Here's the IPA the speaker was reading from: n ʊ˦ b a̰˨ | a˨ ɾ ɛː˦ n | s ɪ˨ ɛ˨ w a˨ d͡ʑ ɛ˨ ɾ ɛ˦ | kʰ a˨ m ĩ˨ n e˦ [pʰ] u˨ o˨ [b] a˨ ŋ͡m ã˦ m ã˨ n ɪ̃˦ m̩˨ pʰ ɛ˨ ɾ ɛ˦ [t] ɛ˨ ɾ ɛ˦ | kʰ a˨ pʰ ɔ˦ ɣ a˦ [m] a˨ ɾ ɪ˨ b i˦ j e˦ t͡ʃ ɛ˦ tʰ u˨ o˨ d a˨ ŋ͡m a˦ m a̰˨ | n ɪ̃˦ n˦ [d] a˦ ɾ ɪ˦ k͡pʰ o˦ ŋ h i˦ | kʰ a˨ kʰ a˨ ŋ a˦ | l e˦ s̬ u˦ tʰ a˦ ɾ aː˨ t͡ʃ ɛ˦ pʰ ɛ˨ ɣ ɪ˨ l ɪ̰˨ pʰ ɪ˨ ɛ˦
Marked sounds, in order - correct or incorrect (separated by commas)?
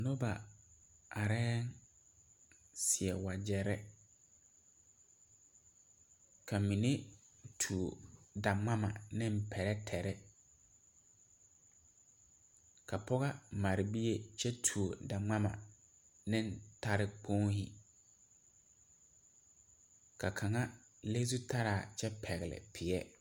incorrect, incorrect, incorrect, correct, incorrect